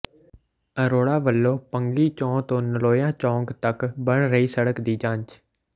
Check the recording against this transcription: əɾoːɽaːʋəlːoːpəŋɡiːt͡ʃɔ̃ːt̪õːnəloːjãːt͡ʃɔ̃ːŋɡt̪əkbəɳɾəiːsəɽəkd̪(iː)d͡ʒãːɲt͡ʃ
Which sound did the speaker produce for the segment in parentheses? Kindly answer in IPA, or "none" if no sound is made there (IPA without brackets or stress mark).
iː